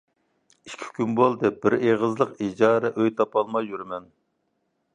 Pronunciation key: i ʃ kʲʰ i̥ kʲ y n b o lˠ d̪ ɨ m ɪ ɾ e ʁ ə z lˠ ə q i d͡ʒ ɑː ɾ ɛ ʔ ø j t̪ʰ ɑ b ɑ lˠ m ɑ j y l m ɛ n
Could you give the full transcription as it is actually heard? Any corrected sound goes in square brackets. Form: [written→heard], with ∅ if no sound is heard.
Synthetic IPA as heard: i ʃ kʲʰ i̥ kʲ y n b o lˠ d̪ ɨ [m→b] ɪ ɾ e ʁ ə z lˠ ə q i d͡ʒ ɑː ɾ ɛ ʔ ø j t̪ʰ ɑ [b→p] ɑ lˠ m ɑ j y [l→ɾ] m ɛ n